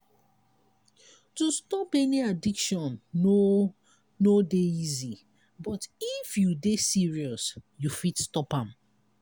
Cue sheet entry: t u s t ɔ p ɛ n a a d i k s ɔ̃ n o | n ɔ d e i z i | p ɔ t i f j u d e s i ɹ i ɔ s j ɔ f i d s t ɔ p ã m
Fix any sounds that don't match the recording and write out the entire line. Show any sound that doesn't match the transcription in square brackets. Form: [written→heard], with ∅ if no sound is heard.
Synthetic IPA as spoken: t u s t ɔ p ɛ n [a→i] a d i k [s→ʃ] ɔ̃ n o | n [ɔ→o] d e i z i | [p→b] ɔ t i f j u d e s i ɹ i ɔ s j [ɔ→u] f i [d→t] s t ɔ p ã m